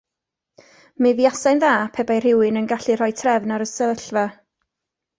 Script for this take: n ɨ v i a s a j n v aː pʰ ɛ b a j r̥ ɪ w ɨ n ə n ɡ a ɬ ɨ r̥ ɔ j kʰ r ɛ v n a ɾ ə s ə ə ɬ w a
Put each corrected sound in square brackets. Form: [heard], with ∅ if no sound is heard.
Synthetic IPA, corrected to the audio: [m] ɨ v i a s a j n [ð] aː pʰ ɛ b a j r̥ ɪ w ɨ n ə n ɡ a ɬ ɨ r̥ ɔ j [tʰ] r ɛ v n a ɾ ə s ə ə ɬ [v] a